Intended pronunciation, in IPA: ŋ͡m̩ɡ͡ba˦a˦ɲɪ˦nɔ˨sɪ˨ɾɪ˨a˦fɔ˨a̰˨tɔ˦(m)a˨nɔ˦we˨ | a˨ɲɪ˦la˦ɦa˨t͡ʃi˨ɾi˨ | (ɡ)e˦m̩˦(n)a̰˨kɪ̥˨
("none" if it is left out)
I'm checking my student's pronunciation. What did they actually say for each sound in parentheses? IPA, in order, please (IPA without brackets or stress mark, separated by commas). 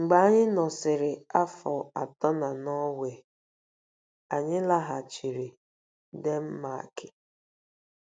n, d, m